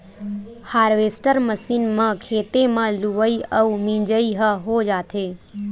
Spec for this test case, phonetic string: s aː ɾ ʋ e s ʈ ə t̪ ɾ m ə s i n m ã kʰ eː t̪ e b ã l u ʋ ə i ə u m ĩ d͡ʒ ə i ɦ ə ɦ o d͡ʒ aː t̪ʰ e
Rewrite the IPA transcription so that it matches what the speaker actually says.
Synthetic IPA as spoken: h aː ɾ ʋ e s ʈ ə ɾ m ə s i n m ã kʰ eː t̪ e m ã l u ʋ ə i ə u m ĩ d͡ʒ ə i ɦ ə ɦ o d͡ʒ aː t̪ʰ e